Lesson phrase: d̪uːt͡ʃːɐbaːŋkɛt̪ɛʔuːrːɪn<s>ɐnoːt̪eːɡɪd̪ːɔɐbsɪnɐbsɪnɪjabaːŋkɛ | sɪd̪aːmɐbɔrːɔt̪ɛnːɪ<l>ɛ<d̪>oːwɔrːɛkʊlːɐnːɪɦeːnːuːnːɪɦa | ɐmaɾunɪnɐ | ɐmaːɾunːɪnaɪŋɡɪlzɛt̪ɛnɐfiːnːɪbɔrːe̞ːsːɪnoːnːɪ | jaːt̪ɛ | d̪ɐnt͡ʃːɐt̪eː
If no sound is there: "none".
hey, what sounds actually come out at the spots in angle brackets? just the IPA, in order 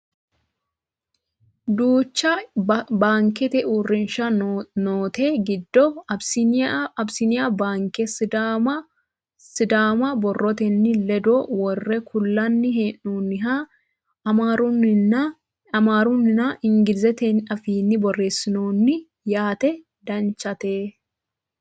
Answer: ʃ, l, d̪

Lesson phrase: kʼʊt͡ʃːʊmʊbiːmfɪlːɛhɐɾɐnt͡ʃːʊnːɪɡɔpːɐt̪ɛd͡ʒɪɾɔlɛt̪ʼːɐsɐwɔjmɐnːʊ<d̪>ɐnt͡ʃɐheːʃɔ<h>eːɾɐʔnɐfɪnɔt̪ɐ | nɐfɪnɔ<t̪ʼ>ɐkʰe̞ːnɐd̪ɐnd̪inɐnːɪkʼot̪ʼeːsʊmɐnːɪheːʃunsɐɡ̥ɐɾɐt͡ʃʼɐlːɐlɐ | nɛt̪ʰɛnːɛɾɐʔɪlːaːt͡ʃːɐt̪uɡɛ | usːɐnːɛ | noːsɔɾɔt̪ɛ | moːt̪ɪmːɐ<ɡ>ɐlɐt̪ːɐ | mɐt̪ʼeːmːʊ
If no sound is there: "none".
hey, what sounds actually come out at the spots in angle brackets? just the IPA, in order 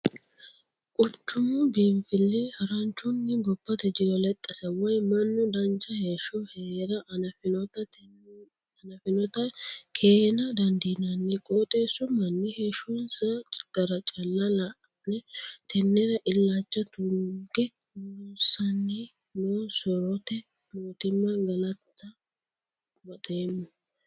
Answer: d̪, h, t̪, ɡ

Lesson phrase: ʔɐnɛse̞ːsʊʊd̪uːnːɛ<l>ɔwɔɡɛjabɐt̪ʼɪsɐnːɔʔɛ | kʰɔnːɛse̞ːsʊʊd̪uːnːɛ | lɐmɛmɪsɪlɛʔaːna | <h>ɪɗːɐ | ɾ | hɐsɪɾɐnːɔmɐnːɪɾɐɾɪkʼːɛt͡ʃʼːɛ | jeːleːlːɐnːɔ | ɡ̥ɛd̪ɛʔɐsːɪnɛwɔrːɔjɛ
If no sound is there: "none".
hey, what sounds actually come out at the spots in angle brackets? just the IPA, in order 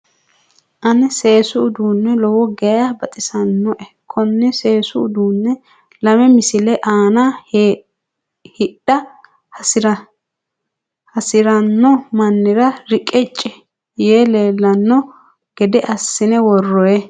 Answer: l, h

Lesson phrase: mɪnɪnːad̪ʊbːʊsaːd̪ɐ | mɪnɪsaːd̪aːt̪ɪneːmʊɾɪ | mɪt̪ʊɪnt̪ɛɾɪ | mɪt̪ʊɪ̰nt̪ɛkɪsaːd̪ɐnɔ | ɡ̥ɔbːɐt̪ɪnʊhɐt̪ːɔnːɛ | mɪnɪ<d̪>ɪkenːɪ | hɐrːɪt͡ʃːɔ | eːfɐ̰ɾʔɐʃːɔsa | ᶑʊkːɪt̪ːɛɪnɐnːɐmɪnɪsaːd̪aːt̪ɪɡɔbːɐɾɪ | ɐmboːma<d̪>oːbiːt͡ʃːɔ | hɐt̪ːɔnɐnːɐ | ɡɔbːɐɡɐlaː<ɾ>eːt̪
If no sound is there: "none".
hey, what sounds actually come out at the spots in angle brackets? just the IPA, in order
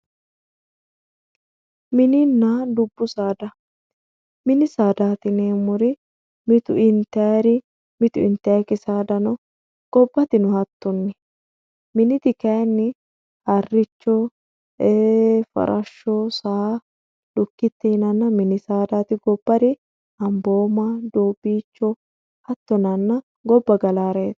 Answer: t̪, d̪, ɾ

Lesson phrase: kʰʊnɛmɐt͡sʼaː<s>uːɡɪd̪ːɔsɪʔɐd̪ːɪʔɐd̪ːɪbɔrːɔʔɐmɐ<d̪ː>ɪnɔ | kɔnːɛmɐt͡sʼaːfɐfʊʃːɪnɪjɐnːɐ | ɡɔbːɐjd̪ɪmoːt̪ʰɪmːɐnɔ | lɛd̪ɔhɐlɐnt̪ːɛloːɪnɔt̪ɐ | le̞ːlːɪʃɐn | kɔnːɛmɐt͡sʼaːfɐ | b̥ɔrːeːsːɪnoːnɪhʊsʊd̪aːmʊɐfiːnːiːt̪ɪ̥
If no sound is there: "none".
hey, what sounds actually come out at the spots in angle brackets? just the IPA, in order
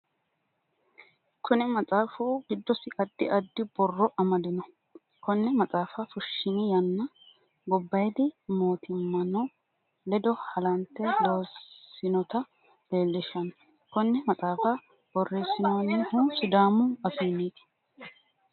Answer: f, d̪

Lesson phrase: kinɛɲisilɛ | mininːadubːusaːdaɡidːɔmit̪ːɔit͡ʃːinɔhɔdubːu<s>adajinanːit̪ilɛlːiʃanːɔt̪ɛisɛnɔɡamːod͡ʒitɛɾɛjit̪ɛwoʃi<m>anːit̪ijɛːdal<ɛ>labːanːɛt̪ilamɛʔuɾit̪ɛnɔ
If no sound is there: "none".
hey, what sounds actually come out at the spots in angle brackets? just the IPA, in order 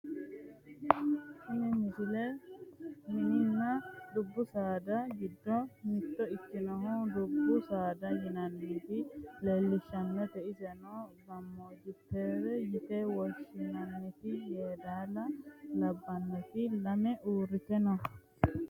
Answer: s, n, a

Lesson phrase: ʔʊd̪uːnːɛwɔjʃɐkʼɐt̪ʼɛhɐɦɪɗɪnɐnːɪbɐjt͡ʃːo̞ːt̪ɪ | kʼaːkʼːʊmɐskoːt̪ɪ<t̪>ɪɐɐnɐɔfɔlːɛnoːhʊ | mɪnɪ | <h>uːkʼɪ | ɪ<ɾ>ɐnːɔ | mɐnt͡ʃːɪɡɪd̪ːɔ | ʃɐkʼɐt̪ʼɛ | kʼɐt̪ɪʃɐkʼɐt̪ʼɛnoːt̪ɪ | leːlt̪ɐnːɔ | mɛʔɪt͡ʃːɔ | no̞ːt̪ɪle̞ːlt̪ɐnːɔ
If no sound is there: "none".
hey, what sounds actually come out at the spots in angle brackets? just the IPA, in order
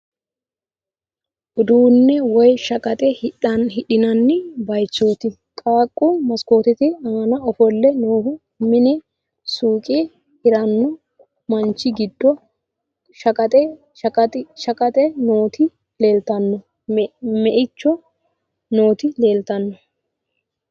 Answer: t̪, s, ɾ

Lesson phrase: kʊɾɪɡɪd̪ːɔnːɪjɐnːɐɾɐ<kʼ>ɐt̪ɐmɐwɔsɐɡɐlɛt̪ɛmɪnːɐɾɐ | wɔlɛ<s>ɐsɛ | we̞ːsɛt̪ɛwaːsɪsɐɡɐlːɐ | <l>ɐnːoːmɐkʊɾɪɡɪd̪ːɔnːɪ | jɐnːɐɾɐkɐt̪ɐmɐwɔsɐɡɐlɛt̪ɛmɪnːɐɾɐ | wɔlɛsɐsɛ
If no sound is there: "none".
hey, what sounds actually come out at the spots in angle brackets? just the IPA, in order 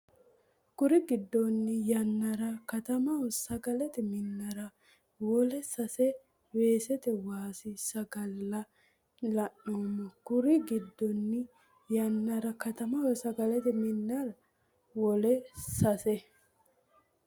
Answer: k, s, l

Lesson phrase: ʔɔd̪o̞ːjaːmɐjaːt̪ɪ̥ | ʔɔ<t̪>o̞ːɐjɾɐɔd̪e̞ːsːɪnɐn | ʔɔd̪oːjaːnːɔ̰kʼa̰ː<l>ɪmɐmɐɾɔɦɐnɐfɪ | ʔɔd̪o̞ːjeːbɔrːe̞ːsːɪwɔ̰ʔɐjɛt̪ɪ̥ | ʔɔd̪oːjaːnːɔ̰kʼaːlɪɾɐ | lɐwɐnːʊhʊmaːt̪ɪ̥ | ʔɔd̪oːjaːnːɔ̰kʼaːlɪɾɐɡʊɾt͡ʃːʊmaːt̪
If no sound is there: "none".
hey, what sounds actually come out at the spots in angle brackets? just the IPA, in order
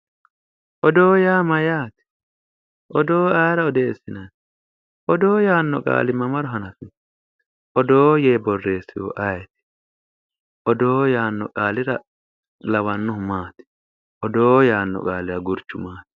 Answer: d̪, l

